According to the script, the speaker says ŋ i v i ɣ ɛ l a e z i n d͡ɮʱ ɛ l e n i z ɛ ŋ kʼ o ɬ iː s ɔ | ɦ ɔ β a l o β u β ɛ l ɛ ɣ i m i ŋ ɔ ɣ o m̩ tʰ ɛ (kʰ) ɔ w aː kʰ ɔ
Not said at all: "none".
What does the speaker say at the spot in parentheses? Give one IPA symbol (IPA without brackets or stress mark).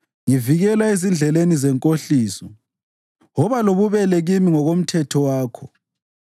tʰ